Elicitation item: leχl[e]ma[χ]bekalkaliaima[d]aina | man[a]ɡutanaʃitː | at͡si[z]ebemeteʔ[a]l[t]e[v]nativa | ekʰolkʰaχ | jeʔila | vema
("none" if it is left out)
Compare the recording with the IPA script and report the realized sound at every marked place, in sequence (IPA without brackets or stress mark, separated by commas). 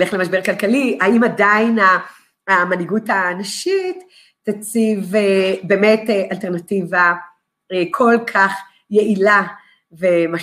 e, ʃ, d, i, v, a, t, ʁ